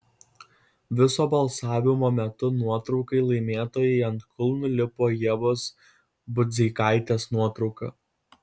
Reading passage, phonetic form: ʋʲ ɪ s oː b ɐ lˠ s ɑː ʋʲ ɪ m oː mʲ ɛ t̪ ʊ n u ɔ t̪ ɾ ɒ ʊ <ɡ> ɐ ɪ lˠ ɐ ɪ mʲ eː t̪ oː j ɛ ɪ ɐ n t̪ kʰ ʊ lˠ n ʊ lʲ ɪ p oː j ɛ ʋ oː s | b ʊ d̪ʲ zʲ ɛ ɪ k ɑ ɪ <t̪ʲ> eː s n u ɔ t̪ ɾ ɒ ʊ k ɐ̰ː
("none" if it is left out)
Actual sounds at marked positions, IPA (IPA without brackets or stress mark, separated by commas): k, t̪ʲ